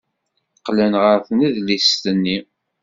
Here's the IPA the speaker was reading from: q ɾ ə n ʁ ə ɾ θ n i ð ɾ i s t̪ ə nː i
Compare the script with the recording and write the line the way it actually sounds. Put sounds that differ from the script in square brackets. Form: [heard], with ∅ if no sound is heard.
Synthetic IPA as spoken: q [l] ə n ʁ ə ɾ θ n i ð [l] i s t̪ ə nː i